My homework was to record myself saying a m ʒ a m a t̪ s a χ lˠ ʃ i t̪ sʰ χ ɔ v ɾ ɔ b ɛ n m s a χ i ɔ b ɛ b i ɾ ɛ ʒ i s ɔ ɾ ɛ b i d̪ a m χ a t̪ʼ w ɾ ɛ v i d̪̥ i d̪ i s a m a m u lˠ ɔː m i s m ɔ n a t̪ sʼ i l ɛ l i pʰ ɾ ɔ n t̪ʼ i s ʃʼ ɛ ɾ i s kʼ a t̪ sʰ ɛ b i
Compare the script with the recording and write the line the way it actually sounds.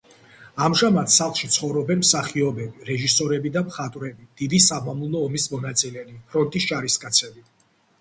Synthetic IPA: a m ʒ a m a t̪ s a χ lˠ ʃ i t̪ sʰ χ ɔ v ɾ ɔ b ɛ n m s a χ i ɔ b ɛ b i ɾ ɛ ʒ i s ɔ ɾ ɛ b i d̪ a m χ a t̪ʼ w ɾ ɛ b i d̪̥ i d̪ i s a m a m u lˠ ɔː m i s m ɔ n a t̪ sʼ i l ɛ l i pʰ ɾ ɔ n t̪ʼ i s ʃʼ a ɾ i s kʼ a t̪ sʰ ɛ b i